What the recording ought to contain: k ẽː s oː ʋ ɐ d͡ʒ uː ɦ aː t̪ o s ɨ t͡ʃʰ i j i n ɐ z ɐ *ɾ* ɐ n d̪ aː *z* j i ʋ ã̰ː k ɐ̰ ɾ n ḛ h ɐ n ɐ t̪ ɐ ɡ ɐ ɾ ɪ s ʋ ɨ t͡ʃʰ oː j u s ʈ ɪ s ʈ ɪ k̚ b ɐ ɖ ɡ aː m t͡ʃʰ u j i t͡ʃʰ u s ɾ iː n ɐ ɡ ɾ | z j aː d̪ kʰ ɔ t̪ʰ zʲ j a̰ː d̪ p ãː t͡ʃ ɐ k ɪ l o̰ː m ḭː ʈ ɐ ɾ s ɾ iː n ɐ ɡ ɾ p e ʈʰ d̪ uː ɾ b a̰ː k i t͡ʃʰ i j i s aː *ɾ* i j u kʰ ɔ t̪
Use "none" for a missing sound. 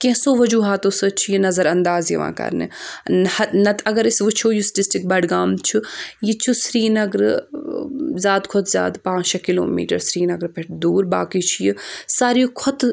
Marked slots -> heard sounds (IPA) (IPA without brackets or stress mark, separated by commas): ɾ, z, ɾ